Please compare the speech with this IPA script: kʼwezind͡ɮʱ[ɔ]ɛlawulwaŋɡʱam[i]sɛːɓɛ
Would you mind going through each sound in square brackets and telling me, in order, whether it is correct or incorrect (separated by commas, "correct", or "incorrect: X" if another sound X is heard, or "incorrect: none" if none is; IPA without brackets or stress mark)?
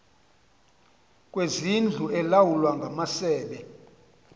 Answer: incorrect: u, incorrect: a